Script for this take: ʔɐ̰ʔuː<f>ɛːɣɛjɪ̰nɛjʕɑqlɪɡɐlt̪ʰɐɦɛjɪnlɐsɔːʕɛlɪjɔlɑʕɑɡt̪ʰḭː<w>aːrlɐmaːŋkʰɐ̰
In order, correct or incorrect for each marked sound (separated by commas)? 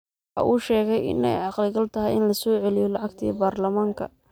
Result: incorrect, incorrect